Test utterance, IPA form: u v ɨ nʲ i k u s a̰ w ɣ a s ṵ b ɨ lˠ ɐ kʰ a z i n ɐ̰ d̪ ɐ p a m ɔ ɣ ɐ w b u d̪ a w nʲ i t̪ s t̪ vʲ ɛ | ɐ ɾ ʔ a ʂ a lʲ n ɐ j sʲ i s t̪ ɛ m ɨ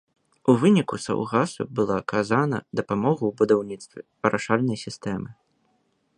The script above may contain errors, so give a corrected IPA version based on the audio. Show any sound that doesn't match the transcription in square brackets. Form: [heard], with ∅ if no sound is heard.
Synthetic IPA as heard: u v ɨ nʲ i k u s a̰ w ɣ a s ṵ b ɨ lˠ [a] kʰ a z [a] n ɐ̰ d̪ ɐ p a m ɔ ɣ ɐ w b u d̪ a w nʲ i t̪ s t̪ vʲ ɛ | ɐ ɾ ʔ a ʂ a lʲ n ɐ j sʲ i s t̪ ɛ m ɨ